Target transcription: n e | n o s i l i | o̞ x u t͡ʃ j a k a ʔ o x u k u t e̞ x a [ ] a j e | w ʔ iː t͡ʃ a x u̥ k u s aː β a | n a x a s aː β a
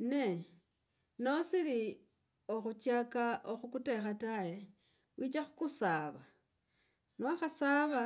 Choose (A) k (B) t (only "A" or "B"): B